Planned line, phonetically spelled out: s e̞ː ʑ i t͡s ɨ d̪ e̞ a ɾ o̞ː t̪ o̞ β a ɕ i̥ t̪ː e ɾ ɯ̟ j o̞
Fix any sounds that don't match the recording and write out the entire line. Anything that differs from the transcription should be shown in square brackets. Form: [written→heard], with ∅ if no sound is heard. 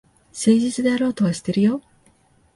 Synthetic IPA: s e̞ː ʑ i t͡s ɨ d̪ e̞ a ɾ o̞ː t̪ o̞ β a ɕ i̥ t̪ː e ɾ ɯ̟ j o̞